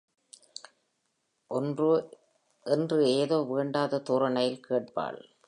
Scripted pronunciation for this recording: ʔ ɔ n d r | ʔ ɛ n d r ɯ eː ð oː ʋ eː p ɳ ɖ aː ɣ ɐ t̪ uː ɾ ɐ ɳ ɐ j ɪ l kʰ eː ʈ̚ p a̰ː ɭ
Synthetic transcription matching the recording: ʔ ɔ n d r | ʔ ɛ n d r ɯ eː ð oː ʋ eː ɳ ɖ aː ð ɐ t̪ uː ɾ ɐ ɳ ɐ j ɪ l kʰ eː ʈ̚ p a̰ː ɭ